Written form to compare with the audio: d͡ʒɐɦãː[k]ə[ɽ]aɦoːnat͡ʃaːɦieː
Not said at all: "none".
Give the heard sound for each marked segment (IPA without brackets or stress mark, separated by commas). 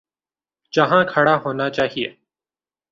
kʰ, ɽ